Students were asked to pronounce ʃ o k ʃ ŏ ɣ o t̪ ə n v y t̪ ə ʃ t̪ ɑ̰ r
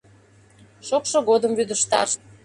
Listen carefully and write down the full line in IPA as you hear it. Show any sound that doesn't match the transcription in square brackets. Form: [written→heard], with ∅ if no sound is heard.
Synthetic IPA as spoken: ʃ o k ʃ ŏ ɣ o [t̪→d̪] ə [n→m] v y [t̪→d̪] ə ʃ t̪ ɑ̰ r